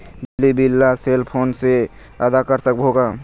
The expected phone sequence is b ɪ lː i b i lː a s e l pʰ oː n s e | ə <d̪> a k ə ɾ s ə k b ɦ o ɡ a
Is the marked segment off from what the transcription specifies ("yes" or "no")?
no